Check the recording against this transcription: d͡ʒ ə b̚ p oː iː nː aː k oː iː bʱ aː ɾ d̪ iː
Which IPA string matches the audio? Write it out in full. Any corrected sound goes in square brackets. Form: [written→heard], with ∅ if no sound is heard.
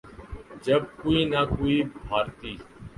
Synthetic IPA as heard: d͡ʒ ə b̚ [p→k] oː iː [nː→n] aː k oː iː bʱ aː ɾ [d̪→t̪] iː